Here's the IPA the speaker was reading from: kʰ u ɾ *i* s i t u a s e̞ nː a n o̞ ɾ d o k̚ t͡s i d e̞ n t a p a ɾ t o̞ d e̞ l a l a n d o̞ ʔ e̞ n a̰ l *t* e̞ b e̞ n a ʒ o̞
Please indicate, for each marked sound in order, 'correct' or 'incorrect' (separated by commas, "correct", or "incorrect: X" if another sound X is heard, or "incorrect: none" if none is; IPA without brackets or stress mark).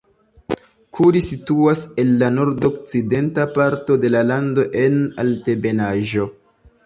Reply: correct, correct